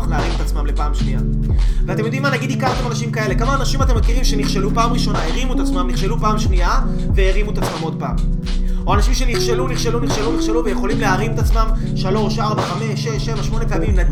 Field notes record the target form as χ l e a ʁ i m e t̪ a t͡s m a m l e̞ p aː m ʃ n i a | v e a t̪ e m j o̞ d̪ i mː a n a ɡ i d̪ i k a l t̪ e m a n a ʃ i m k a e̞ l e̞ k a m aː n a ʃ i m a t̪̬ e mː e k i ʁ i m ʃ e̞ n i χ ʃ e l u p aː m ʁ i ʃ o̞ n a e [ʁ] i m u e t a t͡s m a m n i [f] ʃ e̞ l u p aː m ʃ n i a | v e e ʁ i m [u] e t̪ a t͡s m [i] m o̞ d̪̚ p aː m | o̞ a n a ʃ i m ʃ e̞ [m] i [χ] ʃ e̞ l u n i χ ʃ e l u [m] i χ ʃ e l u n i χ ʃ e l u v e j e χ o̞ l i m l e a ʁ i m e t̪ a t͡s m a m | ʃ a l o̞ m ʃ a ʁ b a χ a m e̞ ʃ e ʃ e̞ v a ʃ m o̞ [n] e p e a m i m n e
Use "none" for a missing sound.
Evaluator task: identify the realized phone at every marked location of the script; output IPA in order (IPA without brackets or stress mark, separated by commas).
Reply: ʁ, χ, u, a, n, χ, n, n